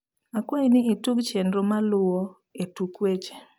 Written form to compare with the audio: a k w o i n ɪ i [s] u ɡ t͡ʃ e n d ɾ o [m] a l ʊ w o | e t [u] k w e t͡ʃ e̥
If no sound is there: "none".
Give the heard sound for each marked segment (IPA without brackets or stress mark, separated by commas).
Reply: t, m, u